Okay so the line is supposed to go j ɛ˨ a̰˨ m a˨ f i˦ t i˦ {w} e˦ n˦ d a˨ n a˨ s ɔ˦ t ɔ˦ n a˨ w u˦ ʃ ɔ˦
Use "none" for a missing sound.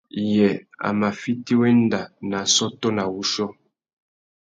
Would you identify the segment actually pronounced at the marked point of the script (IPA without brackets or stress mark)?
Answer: w